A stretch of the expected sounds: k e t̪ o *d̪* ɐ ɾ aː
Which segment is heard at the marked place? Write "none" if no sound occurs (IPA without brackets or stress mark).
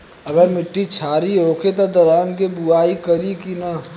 d̪